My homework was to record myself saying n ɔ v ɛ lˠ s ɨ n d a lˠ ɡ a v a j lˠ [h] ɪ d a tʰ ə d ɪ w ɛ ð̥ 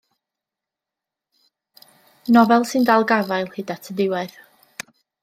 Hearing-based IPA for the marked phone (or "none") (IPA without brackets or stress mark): h